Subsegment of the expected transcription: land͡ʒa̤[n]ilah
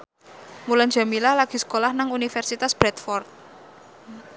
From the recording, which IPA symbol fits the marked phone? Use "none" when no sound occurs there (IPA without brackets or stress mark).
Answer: m